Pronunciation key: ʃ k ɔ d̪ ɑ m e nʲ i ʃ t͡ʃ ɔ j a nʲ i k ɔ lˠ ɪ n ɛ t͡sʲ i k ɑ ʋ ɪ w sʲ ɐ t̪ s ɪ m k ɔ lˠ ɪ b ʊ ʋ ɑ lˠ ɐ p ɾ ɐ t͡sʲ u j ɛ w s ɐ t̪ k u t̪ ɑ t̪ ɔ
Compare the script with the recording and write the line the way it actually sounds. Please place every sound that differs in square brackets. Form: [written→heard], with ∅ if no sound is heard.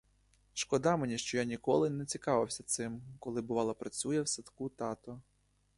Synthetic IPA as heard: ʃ k ɔ d̪ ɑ m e nʲ i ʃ t͡ʃ ɔ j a nʲ i k ɔ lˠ ɪ n ɛ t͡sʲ i k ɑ ʋ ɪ w sʲ ɐ t̪ s ɪ m k ɔ lˠ ɪ b ʊ ʋ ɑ lˠ ɐ p ɾ ɐ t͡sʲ u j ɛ w s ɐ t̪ k u t̪ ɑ t̪ ɔ